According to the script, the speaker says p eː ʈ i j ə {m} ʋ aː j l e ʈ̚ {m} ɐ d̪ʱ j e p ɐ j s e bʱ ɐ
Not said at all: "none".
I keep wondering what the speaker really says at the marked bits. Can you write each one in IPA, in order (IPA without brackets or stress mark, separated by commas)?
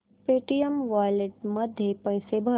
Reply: m, m